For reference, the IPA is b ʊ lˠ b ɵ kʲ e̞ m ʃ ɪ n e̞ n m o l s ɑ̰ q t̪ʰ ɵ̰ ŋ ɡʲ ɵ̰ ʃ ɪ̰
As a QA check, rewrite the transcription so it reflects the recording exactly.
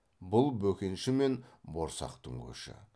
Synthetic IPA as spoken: b ʊ lˠ b ɵ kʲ e̞ n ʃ ɪ m e̞ n b o ɾ s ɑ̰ q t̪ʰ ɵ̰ ŋ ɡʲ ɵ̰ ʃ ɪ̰